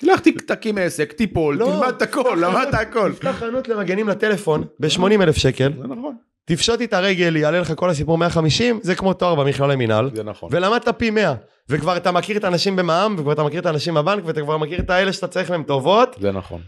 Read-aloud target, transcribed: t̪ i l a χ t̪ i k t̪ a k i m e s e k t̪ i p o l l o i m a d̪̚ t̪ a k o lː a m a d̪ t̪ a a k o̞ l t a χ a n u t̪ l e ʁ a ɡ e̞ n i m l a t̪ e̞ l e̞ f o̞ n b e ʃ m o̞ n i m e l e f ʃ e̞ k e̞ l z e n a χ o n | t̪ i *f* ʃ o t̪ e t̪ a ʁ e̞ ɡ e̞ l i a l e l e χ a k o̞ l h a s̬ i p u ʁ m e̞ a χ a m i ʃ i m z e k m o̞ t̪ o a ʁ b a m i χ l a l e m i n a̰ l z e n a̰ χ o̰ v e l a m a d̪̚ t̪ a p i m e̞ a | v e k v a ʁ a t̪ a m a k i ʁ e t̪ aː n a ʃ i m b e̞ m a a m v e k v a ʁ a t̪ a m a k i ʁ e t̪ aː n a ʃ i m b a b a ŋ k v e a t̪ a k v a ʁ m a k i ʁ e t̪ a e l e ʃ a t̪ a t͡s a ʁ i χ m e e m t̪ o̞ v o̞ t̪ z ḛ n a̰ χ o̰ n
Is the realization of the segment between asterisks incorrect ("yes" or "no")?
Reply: no